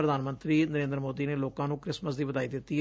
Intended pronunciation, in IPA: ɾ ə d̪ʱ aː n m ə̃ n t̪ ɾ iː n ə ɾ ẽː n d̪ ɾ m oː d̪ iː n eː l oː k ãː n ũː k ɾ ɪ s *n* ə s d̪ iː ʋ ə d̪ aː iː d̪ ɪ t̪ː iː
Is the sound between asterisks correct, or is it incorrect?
incorrect